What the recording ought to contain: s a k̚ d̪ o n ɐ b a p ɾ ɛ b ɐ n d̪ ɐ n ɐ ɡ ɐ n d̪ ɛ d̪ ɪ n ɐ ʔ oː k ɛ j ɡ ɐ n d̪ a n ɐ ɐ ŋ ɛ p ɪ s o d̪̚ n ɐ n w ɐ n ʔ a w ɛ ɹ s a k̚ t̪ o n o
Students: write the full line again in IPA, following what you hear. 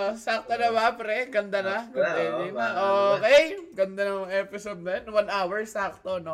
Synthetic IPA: s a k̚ t̪ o n ɐ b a p ɾ ɛ ɡ ɐ n d̪ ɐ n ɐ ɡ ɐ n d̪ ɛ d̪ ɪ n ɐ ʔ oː k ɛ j ɡ ɐ n d̪ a n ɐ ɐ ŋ ɛ p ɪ s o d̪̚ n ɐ n w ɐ n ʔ a w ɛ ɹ s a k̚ t̪ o n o